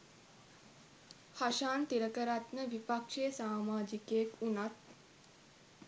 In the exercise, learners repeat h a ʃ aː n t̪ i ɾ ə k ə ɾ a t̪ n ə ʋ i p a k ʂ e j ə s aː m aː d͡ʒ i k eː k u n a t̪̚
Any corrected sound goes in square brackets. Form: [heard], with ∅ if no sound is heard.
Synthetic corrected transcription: h a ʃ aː n t̪ i ɾ ə k ə ɾ a t̪ n ə ʋ i p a k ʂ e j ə s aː m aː d͡ʒ i k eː k u n a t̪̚

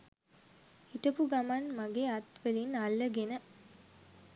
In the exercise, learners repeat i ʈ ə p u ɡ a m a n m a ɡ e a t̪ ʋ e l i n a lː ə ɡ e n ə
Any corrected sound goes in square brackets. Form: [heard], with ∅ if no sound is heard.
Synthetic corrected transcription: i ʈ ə p u ɡ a m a n m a ɡ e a t̪ ʋ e l i n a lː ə ɡ e n ə

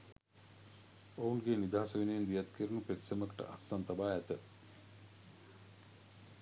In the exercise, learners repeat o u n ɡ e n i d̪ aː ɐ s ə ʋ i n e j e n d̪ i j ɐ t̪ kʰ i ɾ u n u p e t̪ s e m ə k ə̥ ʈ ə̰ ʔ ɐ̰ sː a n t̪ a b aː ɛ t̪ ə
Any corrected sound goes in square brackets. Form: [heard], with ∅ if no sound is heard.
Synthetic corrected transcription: o u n ɡ e n i d̪ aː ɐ s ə ʋ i n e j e n d̪ i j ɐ t̪ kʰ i ɾ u n u p e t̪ s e m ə k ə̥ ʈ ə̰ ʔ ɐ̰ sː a n t̪ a b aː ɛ t̪ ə

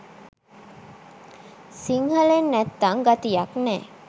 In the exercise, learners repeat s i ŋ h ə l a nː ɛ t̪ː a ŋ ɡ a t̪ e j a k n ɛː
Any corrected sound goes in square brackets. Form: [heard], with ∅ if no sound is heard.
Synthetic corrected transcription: s i ŋ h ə l [e] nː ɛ t̪ː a ŋ ɡ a t̪ [i] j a k n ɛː

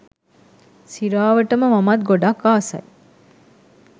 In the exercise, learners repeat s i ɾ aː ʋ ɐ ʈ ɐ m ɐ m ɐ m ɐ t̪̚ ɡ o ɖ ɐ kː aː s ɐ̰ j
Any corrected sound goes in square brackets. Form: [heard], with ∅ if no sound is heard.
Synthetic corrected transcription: s i ɾ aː ʋ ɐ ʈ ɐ m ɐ m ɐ m ɐ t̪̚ ɡ o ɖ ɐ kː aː s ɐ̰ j

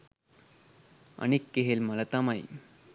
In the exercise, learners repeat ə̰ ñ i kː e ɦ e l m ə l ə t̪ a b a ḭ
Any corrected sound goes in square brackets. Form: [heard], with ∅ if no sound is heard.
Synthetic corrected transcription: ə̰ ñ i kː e ɦ e l m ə l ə t̪ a [m] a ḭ

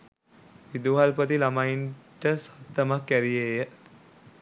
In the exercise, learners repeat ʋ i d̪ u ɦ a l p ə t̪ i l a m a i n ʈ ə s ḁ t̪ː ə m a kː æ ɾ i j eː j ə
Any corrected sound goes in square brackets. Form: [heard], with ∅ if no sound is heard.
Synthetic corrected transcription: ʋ i d̪ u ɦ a l p ə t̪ i l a m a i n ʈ ə s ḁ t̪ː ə m a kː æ ɾ i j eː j ə

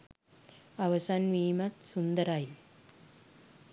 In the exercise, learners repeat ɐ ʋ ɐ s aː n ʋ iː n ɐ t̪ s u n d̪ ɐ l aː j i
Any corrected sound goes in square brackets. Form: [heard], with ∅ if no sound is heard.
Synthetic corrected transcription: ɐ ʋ ɐ s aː n ʋ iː [m] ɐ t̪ s u n d̪ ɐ [ɾ] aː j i

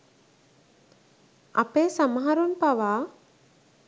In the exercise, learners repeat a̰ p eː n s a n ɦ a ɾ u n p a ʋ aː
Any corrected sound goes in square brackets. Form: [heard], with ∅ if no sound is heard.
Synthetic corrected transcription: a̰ p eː [∅] s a [m] ɦ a ɾ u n p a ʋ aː

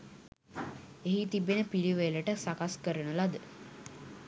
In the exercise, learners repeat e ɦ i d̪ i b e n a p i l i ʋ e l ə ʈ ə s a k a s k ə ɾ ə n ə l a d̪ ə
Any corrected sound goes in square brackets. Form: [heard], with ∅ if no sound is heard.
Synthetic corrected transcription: e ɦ i [t̪] i b e n [ə] p i l i ʋ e l ə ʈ ə s a k a s k ə ɾ ə n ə l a d̪ ə

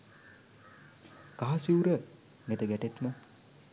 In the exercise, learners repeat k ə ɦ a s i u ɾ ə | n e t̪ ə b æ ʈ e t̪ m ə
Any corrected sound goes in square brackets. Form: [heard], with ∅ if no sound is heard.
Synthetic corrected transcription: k [a] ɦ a s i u ɾ ə | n e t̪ ə [ɡ] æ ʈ e t̪ m ə

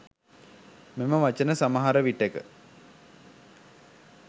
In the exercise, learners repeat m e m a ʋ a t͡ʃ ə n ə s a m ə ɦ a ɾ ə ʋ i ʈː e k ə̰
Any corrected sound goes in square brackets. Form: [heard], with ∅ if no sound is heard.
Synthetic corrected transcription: m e m [ə] ʋ a t͡ʃ ə n ə s a m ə ɦ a ɾ ə ʋ i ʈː e k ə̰

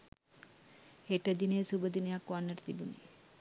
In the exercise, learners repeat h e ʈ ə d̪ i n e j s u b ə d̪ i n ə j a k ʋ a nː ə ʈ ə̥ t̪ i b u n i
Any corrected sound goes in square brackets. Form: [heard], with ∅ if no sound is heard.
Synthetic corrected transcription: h e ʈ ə d̪ i n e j s u b ə d̪ i n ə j a k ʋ a nː ə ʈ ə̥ t̪ i b u n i

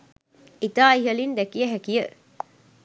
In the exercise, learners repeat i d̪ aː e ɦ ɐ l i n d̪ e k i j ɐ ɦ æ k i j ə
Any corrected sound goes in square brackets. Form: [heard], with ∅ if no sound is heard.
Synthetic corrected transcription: i [t̪] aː [i] ɦ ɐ l i n d̪ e k i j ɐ ɦ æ k i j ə

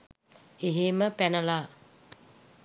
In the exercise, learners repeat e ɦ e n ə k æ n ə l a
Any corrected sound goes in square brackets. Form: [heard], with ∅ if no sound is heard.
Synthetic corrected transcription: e ɦ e [m] ə [p] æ n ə l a

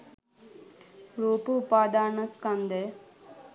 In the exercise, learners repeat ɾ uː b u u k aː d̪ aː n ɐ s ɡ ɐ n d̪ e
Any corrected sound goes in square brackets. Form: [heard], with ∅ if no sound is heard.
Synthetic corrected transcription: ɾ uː [p] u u [p] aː d̪ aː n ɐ s [k] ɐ n d̪ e

